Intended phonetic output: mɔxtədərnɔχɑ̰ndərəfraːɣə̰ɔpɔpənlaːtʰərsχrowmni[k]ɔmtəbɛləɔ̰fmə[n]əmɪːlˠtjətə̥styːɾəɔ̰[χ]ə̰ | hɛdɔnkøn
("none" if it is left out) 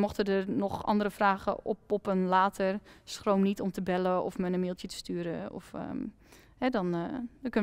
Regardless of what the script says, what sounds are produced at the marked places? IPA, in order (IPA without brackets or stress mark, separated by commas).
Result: t, n, f